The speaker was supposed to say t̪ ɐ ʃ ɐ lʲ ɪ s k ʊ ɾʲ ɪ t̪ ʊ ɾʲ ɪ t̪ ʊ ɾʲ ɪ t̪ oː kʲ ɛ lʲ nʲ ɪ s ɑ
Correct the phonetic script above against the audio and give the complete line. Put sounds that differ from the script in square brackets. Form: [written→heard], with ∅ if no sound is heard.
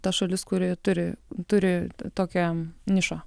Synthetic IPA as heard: t̪ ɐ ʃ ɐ lʲ ɪ s k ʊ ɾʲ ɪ t̪ ʊ ɾʲ ɪ t̪ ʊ ɾʲ ɪ t̪ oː kʲ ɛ [lʲ→∅] nʲ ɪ [s→ʃ] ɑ